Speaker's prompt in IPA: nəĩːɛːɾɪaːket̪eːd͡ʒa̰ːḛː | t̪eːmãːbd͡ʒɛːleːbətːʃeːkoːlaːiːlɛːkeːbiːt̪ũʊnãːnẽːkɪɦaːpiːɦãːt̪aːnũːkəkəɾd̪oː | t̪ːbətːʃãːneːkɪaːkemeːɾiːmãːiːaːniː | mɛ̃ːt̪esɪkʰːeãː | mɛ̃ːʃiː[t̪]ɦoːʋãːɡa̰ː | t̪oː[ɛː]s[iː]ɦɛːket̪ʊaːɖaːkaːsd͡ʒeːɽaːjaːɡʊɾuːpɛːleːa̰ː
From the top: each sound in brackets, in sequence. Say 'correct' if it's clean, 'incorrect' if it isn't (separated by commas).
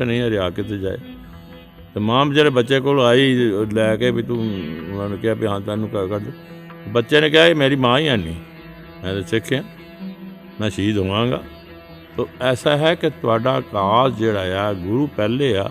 incorrect, correct, incorrect